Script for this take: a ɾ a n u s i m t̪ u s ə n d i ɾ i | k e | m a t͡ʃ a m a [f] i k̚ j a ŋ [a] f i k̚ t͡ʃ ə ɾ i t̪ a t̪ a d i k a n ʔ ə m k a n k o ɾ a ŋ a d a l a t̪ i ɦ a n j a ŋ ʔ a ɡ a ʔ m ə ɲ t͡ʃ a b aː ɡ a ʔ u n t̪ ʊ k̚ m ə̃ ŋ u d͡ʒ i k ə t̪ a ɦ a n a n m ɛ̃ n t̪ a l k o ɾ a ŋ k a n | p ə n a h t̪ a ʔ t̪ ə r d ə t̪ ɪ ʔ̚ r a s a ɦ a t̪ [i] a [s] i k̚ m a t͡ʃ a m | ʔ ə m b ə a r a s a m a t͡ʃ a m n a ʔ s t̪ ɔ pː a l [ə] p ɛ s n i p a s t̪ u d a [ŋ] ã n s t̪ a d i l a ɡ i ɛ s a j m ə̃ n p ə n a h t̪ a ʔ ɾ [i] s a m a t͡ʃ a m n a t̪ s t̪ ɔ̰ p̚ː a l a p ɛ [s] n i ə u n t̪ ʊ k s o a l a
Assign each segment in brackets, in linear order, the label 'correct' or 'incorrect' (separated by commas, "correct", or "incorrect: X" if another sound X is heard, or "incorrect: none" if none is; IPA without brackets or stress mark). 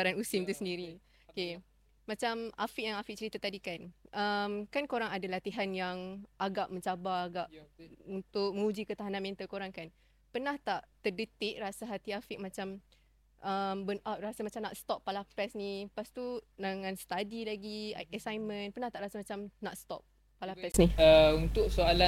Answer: correct, correct, correct, incorrect: f, incorrect: a, correct, incorrect: a, correct